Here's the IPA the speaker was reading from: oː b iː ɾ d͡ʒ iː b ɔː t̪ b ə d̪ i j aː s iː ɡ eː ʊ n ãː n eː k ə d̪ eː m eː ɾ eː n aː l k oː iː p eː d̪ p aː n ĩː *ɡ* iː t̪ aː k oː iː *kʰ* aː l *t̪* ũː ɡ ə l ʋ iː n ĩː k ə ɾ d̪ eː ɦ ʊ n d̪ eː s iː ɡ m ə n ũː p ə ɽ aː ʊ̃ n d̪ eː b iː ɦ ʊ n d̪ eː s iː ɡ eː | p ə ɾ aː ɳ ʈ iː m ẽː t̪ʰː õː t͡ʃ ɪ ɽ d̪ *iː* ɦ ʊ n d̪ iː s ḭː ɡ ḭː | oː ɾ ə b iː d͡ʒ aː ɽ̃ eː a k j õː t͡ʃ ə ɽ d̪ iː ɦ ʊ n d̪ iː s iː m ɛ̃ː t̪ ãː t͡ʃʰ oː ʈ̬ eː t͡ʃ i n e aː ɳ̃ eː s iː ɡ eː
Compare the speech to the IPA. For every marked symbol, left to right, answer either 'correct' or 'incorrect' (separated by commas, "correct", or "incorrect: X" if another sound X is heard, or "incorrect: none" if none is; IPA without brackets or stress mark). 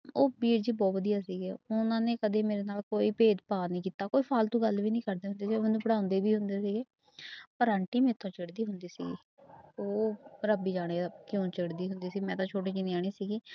incorrect: k, incorrect: pʰ, correct, correct